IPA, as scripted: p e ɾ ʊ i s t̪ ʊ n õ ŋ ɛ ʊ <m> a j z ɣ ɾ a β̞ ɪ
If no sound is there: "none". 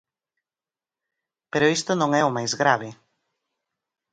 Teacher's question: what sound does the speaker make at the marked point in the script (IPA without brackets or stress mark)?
m